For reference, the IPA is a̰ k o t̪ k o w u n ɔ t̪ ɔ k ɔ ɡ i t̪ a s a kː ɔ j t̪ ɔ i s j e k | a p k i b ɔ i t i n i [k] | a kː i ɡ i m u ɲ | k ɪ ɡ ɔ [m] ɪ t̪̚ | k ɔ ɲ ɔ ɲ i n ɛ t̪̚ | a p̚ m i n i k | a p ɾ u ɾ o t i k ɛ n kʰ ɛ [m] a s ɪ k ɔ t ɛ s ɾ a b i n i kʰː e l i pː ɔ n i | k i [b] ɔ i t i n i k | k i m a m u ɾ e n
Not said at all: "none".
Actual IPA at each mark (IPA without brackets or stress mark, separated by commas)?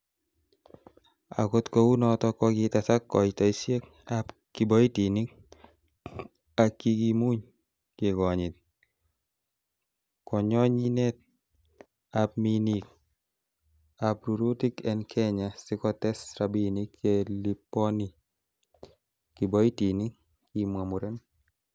k, ɲ, ɲ, b